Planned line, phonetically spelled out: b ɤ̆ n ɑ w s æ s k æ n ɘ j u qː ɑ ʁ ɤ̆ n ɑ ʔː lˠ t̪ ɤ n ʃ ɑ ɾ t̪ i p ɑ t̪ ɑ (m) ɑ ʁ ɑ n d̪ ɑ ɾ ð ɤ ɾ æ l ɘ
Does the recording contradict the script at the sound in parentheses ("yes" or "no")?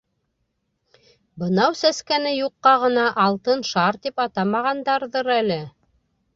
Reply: no